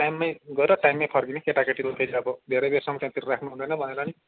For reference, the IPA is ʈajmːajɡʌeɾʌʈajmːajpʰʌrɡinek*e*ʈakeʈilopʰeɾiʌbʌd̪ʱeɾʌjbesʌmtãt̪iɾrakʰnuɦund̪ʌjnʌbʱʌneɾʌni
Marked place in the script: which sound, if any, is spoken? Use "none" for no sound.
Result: e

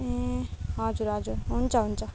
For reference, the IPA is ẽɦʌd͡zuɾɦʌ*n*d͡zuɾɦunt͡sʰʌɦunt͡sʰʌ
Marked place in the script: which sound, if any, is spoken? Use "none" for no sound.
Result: none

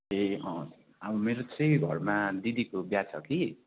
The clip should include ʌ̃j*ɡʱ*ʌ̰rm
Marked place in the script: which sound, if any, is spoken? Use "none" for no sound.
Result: ɡʱ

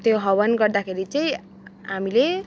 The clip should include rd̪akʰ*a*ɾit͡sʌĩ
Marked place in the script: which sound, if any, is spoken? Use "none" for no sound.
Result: e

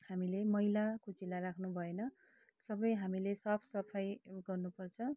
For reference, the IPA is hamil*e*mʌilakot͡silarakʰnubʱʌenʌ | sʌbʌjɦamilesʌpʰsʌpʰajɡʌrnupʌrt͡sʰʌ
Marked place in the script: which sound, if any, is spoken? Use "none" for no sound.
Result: e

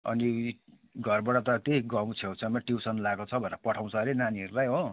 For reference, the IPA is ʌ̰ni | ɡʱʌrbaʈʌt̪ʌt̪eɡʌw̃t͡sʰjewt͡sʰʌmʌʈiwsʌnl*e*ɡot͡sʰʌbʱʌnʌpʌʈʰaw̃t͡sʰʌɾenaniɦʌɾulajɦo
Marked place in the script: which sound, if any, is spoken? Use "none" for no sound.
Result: a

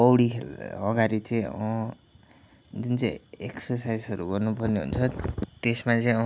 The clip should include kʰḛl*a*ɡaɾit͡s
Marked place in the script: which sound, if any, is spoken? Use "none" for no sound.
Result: ʌ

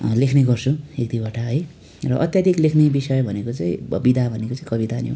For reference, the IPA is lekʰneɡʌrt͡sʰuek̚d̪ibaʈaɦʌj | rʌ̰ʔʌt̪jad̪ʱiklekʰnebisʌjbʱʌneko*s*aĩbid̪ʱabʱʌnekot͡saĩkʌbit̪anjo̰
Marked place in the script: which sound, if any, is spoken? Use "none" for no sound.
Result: t͡s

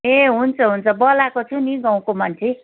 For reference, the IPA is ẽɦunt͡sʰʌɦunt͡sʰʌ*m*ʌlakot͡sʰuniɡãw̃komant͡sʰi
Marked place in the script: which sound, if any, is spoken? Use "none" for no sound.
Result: b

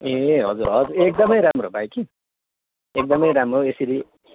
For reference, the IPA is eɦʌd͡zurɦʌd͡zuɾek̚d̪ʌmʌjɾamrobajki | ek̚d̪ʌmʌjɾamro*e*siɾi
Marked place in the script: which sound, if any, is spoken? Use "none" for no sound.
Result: e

